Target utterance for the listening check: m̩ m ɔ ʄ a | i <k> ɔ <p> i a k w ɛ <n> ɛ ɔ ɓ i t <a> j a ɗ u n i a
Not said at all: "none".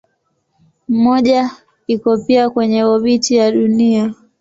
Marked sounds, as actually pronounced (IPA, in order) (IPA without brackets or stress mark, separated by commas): k, p, ɲ, i